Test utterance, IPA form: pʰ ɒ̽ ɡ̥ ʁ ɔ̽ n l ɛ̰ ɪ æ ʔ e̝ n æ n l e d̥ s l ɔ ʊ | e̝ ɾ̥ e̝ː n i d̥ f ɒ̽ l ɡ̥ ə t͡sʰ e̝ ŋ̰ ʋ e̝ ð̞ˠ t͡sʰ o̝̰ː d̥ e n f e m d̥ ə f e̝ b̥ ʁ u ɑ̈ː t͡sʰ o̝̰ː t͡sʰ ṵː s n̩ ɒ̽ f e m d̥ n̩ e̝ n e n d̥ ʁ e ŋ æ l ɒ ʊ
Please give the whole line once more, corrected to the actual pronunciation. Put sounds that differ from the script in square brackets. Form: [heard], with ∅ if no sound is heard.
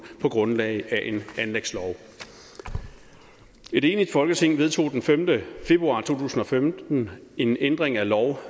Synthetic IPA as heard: pʰ ɒ̽ ɡ̥ ʁ ɔ̽ n l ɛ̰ ɪ æ ʔ e̝ n æ n l e [ɡ̥] s l [ɒ] ʊ | e̝ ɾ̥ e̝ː n i d̥ f ɒ̽ l ɡ̥ ə t͡sʰ e̝ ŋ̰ ʋ e̝ ð̞ˠ t͡sʰ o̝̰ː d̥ e n f e m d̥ ə f e̝ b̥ ʁ u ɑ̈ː t͡sʰ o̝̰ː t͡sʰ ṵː s n̩ ɒ̽ f e m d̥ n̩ e̝ n e n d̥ ʁ e ŋ æ l ɒ ʊ